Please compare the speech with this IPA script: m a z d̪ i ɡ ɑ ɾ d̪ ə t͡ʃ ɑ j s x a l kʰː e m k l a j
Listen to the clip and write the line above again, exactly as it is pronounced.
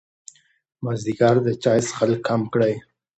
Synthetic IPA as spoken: m a z d̪ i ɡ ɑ ɾ d̪ ə t͡ʃ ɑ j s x a l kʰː a m k ɽ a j